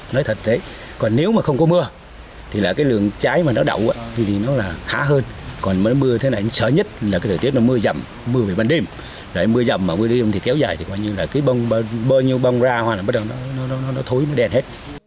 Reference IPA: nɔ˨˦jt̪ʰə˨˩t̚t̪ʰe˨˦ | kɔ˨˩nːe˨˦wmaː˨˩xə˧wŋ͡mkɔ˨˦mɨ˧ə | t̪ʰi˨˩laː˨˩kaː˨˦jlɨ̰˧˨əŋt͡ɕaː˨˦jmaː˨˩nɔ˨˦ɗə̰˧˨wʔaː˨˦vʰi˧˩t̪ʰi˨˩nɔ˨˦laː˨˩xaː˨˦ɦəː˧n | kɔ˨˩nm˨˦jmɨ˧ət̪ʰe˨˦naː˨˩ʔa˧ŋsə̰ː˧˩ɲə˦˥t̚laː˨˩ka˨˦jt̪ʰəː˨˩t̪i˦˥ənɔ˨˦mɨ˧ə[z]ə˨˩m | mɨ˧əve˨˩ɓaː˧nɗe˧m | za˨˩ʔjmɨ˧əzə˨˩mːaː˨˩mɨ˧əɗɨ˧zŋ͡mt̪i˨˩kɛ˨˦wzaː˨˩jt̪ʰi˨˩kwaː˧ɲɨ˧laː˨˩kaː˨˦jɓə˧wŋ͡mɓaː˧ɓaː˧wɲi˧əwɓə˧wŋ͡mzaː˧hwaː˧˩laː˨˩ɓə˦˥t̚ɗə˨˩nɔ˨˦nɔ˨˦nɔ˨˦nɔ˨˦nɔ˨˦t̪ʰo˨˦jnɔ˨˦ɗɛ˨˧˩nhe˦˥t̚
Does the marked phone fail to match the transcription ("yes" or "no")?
no